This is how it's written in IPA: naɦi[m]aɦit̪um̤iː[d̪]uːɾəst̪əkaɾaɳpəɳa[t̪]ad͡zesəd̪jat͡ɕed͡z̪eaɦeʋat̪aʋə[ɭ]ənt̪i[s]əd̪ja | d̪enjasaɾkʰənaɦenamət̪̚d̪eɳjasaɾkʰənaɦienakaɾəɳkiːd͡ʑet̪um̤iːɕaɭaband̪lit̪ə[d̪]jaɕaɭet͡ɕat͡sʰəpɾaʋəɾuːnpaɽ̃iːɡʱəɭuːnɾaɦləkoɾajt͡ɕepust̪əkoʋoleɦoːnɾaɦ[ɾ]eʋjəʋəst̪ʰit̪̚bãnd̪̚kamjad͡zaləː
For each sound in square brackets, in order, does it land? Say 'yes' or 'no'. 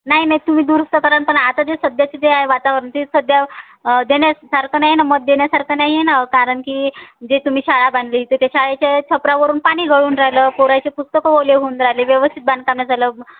no, yes, yes, no, yes, no, no

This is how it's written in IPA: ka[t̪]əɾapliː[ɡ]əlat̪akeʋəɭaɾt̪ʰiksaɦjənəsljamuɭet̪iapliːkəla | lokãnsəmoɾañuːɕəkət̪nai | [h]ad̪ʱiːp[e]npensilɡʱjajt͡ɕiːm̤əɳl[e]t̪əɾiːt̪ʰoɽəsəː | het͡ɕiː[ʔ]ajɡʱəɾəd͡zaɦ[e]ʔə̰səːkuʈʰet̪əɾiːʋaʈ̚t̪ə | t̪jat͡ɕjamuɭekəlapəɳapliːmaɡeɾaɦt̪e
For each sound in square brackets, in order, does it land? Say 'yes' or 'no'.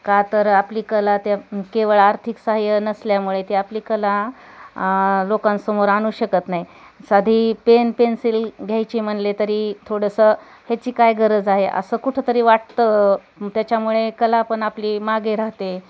yes, no, no, yes, yes, no, yes

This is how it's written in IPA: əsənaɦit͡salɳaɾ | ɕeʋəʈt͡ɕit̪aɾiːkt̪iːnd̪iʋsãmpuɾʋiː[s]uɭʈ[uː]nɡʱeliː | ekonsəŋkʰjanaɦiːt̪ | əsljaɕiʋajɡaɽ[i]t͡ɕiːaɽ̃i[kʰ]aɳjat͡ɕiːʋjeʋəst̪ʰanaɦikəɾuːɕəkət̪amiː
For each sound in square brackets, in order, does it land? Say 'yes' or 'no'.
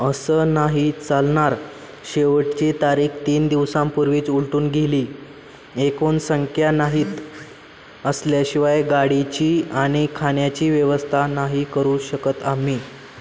no, yes, yes, yes

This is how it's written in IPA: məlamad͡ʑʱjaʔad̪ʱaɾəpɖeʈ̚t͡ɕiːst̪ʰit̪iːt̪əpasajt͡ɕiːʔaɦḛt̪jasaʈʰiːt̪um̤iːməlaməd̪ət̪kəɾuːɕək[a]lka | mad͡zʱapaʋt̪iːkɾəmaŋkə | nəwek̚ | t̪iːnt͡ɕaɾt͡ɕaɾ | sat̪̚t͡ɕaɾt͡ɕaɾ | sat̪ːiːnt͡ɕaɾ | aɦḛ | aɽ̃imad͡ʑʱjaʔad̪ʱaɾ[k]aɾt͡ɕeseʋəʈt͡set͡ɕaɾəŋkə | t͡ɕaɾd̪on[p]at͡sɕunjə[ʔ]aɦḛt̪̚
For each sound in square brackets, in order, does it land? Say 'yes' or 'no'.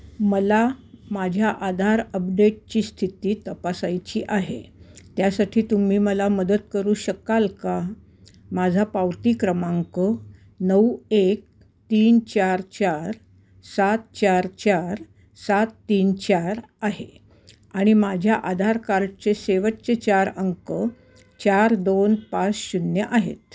yes, yes, yes, yes

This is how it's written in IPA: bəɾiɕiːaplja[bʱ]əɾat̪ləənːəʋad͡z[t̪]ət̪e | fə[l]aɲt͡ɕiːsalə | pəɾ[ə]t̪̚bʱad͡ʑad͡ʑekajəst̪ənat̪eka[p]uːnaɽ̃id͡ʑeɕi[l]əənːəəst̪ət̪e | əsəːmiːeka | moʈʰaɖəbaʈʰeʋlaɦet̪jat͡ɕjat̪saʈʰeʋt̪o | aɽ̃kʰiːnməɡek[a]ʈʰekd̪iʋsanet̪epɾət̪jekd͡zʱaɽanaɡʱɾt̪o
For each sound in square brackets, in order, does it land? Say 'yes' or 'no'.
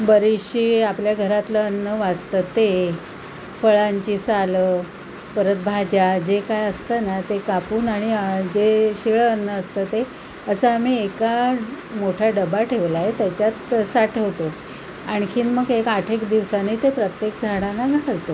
no, yes, no, yes, yes, no, yes

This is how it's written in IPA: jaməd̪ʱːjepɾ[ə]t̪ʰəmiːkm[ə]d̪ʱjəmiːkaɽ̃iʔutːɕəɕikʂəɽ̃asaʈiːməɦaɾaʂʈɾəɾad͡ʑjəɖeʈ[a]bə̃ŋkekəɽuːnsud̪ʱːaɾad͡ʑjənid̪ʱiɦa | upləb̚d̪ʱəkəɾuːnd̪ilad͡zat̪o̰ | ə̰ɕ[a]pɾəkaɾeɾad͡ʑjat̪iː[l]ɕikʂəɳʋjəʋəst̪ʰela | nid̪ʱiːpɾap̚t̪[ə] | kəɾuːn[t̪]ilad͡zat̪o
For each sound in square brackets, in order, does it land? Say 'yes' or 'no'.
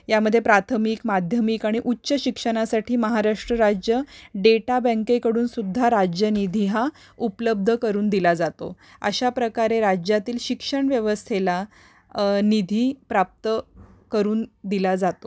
no, no, yes, yes, yes, yes, no

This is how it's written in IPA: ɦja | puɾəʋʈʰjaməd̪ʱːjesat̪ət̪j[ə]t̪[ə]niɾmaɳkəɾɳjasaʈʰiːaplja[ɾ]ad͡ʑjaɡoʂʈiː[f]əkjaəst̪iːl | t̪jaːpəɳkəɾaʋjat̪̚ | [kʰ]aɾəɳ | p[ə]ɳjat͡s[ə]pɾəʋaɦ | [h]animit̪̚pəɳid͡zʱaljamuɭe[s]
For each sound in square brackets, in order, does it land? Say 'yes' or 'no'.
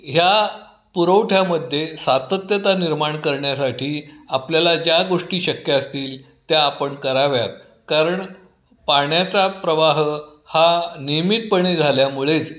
yes, no, no, no, no, no, no, yes, no

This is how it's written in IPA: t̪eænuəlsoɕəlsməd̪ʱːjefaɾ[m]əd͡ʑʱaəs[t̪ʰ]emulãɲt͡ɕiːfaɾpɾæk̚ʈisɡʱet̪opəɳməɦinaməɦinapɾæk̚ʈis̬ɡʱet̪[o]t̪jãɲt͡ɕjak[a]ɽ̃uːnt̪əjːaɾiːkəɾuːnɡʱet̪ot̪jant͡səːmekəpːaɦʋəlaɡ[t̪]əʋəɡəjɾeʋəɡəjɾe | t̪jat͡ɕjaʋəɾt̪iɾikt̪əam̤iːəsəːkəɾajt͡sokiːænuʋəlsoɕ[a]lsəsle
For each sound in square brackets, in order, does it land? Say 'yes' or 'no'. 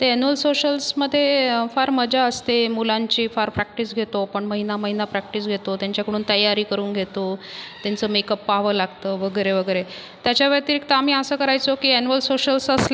yes, no, yes, no, yes, no

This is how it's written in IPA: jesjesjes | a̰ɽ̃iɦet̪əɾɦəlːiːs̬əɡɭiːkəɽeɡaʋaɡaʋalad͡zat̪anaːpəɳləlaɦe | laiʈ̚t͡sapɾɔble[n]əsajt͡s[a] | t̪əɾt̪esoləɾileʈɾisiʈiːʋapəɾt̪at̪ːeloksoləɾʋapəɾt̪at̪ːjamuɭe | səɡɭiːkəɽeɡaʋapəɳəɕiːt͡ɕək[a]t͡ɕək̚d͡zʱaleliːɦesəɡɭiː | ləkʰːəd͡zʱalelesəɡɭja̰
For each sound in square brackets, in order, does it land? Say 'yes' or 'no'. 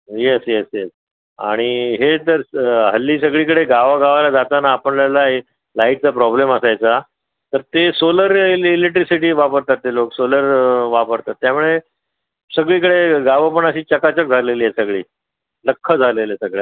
no, yes, yes

